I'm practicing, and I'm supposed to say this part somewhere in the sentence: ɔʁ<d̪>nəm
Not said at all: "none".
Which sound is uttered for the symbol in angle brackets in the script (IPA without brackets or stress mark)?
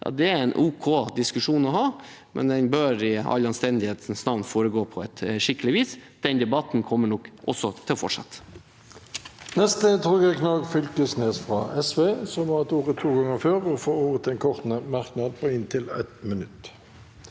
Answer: t̪